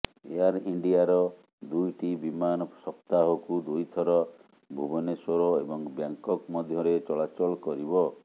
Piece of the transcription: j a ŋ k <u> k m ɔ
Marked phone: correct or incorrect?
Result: incorrect